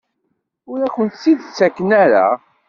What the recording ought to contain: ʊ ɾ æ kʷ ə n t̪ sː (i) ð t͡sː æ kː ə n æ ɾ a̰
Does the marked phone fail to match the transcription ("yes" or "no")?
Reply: no